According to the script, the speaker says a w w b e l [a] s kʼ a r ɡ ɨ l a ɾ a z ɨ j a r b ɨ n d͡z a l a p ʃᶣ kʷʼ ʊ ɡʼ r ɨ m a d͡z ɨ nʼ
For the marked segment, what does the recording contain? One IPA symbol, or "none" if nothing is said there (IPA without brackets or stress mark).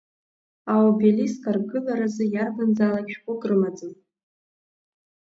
i